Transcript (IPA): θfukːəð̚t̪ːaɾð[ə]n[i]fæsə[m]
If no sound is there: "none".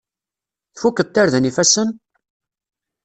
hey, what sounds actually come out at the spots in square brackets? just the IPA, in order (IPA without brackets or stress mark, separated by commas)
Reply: ə, i, n